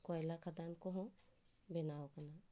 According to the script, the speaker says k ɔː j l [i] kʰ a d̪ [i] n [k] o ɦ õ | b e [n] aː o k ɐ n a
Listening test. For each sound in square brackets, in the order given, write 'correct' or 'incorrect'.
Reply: incorrect: a, incorrect: a, correct, correct

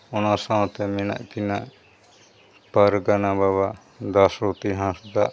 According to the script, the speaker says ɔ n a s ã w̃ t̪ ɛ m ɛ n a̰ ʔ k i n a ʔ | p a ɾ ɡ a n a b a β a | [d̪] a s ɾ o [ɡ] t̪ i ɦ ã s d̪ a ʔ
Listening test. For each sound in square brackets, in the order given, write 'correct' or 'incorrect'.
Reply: correct, incorrect: none

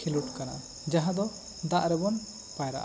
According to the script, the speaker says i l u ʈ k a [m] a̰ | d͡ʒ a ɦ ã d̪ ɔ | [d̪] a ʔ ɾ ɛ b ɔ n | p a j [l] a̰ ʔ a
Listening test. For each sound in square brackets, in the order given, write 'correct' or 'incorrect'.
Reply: incorrect: n, correct, incorrect: ɾ

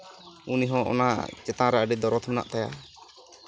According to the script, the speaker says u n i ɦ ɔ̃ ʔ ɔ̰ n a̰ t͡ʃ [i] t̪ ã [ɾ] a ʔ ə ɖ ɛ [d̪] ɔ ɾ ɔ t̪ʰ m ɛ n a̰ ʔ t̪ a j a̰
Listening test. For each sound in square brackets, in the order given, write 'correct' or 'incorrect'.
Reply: incorrect: ɛ, correct, correct

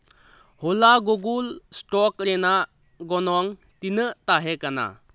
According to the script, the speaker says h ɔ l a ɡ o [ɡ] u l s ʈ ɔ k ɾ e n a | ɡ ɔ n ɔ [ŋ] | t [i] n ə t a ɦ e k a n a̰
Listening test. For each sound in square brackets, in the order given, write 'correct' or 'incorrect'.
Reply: correct, correct, correct

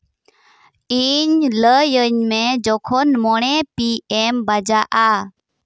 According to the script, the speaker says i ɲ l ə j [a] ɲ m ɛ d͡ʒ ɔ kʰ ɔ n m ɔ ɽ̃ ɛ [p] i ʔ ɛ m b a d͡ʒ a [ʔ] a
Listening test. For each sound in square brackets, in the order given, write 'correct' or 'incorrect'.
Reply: incorrect: ə, correct, correct

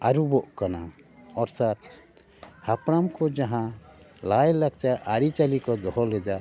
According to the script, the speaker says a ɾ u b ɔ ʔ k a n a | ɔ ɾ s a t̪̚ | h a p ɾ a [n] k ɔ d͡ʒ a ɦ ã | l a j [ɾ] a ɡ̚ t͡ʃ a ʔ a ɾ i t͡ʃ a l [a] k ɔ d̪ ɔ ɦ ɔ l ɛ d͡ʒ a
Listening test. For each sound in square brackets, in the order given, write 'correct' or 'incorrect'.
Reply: incorrect: m, incorrect: l, incorrect: i

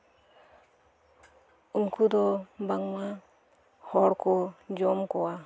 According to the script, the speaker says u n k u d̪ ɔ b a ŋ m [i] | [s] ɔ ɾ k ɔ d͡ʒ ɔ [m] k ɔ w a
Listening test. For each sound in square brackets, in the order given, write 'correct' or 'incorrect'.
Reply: incorrect: a, incorrect: h, correct

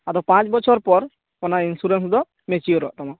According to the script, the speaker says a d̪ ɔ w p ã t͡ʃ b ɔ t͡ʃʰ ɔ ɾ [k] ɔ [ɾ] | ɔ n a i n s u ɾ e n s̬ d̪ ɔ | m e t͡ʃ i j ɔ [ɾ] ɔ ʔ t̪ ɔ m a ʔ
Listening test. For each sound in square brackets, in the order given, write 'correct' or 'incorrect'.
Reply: incorrect: p, correct, correct

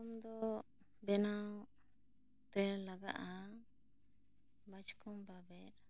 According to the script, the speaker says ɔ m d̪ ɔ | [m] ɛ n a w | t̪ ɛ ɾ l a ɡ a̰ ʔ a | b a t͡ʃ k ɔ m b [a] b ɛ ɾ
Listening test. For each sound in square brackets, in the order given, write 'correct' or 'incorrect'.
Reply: incorrect: b, correct

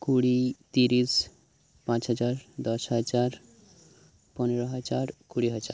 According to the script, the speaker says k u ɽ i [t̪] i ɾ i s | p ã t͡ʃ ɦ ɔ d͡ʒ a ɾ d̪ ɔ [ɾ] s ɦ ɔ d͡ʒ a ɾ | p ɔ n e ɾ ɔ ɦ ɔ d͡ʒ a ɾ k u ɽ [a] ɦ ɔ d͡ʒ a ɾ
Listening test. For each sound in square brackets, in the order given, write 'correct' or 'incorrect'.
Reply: correct, incorrect: none, incorrect: i

